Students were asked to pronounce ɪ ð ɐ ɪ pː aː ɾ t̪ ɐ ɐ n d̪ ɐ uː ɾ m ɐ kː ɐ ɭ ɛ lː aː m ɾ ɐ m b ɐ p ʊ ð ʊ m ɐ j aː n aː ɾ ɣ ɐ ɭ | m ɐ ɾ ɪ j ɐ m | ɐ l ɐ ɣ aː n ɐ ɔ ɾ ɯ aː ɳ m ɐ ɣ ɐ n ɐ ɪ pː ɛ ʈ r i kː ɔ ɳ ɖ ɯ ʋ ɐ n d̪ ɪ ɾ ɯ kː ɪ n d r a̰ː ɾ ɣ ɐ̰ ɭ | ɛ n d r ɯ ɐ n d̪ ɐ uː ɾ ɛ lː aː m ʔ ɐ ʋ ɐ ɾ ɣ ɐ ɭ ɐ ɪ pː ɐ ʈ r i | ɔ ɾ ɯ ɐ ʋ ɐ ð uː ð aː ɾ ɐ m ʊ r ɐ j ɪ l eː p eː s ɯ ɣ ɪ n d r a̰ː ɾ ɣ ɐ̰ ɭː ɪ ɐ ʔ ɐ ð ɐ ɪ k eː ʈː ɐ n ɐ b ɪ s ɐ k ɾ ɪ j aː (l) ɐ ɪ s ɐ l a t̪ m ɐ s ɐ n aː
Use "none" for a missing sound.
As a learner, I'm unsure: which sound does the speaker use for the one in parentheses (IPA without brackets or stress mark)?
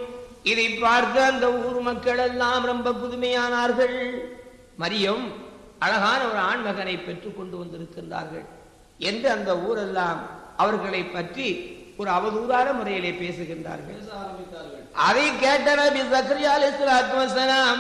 l